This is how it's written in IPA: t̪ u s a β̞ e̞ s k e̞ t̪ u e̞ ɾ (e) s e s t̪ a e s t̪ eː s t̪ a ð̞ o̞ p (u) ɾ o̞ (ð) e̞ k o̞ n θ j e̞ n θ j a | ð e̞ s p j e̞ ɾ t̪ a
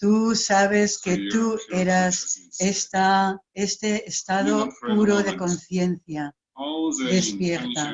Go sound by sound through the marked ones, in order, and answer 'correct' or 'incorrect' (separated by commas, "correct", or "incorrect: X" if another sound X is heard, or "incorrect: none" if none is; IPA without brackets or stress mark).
incorrect: a, correct, correct